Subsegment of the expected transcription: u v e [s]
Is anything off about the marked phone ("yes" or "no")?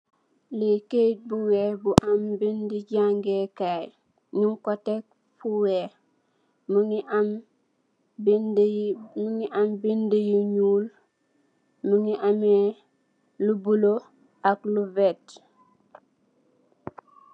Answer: yes